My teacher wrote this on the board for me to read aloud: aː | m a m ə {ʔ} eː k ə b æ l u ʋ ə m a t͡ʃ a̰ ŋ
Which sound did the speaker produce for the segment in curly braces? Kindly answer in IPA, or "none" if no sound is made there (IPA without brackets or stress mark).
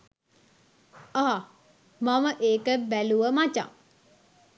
ʔ